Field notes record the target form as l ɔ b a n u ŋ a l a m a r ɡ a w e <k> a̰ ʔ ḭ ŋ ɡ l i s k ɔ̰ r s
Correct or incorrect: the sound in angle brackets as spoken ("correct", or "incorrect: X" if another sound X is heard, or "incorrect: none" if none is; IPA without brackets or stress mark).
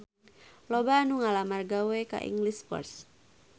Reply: correct